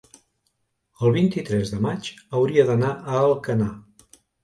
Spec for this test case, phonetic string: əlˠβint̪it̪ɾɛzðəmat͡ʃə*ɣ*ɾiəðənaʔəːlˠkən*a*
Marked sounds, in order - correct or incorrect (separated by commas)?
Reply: incorrect, correct